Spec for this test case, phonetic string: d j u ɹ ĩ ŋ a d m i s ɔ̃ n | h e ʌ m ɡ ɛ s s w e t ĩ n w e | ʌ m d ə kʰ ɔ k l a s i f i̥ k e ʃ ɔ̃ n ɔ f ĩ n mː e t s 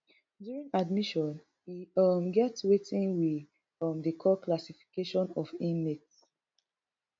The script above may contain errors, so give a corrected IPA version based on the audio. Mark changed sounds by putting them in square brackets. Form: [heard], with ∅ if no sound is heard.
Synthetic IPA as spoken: d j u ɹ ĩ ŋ a d m i [ʃ] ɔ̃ n | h [i] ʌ m ɡ ɛ [t] s w e t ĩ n w [i] | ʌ m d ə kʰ ɔ k l a s i f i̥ k e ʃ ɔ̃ n ɔ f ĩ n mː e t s